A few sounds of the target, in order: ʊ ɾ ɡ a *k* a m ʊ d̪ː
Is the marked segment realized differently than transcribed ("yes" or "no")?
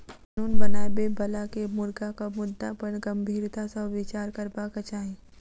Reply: no